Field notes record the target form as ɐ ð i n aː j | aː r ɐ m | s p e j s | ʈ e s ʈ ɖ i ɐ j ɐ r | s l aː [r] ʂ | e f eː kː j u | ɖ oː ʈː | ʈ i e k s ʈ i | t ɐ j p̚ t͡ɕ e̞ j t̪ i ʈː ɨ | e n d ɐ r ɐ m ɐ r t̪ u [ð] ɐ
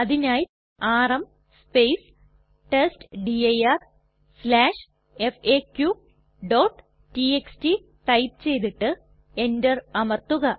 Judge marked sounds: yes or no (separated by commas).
no, no